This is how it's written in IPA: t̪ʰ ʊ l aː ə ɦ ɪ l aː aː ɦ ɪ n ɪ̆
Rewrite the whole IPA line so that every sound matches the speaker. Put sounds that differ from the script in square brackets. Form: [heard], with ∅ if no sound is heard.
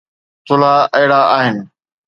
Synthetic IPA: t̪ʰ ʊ l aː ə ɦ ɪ [ɽ] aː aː ɦ ɪ n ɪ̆